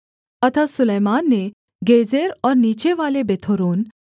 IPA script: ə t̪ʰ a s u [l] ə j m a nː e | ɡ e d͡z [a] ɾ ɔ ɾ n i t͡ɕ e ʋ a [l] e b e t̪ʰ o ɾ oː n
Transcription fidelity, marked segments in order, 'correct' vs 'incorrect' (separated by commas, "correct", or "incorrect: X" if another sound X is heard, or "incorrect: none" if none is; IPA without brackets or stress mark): correct, incorrect: e, correct